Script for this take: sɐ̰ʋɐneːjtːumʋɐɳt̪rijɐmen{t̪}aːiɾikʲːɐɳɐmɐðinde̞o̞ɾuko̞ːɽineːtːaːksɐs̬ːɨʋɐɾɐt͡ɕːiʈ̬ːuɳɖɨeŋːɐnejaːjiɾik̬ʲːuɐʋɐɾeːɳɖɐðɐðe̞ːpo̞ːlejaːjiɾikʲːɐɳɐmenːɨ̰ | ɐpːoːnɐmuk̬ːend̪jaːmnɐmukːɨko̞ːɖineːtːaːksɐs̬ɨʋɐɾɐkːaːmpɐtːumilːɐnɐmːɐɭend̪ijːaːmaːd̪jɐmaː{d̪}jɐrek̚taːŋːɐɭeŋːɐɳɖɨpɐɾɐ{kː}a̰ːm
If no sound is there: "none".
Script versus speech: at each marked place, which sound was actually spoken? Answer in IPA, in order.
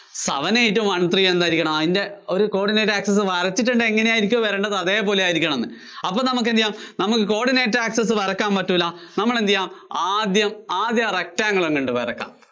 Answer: d̪, d̪, kː

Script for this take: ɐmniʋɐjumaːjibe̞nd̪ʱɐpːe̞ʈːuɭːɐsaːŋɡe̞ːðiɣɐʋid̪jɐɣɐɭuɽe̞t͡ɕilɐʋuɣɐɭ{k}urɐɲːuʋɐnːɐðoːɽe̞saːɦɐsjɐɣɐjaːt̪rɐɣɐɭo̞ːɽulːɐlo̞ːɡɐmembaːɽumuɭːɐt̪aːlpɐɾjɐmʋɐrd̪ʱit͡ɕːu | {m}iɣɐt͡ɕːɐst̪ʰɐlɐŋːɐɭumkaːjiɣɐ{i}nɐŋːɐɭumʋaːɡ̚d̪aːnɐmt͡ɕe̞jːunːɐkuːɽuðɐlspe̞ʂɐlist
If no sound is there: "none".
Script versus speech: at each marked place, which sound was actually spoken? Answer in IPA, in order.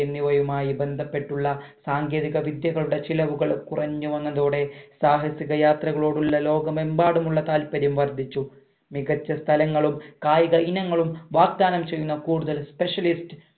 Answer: k, m, i

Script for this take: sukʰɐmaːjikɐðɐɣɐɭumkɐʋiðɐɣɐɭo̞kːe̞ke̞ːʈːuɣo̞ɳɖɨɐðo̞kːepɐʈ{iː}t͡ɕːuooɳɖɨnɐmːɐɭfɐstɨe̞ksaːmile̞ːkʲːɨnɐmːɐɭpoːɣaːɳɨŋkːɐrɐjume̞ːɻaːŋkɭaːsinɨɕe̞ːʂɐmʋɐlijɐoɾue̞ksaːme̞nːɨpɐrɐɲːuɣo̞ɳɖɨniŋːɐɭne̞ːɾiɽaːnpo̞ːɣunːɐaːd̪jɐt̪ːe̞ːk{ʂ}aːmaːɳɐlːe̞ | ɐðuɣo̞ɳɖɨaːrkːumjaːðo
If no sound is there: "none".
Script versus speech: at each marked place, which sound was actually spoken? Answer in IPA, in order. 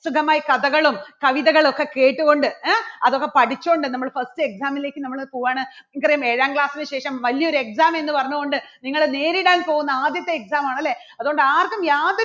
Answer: i, s

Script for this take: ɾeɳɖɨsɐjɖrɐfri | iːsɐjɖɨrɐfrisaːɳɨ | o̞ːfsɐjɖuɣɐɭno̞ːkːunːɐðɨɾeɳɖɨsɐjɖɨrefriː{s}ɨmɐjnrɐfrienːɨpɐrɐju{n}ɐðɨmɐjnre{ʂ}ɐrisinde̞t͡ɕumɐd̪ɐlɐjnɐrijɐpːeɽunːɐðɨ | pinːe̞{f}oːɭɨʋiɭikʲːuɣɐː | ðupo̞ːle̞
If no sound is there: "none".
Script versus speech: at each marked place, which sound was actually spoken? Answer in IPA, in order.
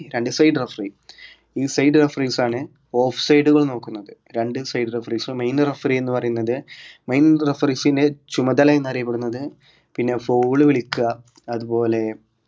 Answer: s, nː, f, f

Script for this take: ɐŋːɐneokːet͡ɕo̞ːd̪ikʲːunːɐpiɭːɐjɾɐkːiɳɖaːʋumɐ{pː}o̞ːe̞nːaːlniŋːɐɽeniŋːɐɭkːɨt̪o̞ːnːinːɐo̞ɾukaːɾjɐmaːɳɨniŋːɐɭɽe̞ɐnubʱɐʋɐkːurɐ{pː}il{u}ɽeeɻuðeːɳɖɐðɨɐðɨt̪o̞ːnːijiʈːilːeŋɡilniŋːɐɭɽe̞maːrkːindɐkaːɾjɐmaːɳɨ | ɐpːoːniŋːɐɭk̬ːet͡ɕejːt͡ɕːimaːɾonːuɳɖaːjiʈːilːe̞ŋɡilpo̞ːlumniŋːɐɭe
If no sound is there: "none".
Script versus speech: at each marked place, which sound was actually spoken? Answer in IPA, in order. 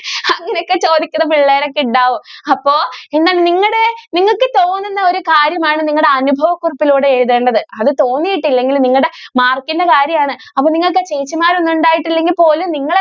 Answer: pː, pː, uː

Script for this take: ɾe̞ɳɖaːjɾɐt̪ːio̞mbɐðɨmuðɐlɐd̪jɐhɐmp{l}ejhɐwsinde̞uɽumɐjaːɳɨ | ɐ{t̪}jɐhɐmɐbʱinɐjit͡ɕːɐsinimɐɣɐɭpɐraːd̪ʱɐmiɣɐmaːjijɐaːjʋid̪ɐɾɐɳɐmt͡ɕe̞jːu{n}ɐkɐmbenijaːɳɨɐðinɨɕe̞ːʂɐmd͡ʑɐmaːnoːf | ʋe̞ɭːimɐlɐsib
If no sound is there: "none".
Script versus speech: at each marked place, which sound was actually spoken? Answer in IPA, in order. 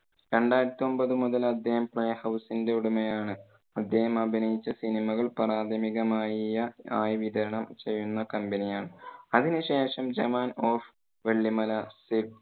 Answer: ɭ, d̪, nː

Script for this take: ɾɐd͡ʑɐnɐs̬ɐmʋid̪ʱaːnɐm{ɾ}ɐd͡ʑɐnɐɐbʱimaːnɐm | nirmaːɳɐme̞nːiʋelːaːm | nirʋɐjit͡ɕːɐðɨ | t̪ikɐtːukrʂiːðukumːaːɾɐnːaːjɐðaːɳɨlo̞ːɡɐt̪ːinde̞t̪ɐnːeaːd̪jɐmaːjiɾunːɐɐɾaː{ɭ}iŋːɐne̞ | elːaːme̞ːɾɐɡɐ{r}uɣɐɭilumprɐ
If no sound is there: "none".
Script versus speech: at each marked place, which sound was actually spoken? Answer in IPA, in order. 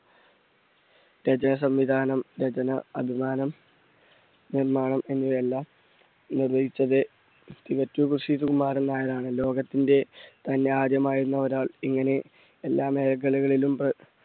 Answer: ɾ, ɭ, ɭ

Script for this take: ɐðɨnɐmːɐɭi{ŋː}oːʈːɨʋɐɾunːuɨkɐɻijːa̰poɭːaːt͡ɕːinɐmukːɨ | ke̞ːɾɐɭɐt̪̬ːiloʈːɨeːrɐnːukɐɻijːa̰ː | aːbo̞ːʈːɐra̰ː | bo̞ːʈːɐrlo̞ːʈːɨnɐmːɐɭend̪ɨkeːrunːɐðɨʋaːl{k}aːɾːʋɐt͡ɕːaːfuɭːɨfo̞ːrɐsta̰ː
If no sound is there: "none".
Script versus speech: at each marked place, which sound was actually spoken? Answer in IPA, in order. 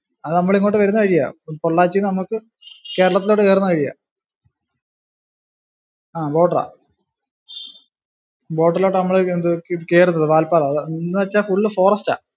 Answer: ŋː, p

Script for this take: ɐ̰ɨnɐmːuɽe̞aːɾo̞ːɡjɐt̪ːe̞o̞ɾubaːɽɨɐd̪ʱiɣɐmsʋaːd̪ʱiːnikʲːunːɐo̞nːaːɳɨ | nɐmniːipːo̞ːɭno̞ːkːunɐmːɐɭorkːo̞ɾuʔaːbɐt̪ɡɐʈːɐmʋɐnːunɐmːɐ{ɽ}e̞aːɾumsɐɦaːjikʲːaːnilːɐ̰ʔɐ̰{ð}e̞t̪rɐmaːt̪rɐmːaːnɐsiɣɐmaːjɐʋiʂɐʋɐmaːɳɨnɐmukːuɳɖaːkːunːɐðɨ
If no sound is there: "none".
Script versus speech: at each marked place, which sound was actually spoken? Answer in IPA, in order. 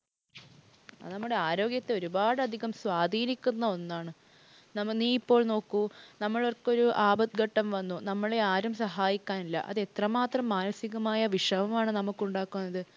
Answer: ɭ, ð

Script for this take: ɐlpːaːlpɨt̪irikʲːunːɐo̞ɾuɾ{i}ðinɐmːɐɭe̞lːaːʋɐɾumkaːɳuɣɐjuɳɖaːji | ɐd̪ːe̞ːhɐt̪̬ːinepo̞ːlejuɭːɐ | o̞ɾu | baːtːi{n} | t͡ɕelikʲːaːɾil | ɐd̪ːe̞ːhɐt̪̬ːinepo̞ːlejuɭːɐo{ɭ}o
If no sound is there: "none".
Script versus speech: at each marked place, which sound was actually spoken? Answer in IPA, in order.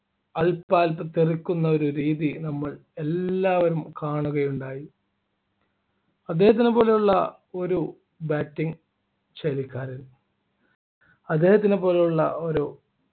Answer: iː, ŋ, ɾ

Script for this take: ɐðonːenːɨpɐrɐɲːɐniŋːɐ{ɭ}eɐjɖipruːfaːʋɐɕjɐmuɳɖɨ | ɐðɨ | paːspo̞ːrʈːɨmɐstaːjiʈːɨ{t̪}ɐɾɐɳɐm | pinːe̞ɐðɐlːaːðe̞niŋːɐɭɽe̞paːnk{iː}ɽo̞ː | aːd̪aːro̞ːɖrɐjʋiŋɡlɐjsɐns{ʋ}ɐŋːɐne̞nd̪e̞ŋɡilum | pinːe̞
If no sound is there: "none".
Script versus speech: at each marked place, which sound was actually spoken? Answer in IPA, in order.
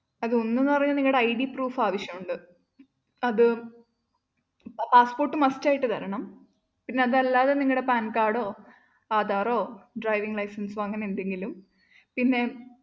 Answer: ɽ, t̪, aː, ʋ

